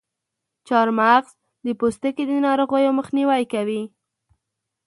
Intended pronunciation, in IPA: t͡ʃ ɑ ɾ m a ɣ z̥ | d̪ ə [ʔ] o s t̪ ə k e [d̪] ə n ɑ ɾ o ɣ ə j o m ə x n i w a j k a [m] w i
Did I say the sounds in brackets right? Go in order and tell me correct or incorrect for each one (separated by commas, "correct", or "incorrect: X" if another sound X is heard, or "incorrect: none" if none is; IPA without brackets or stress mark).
incorrect: p, correct, incorrect: none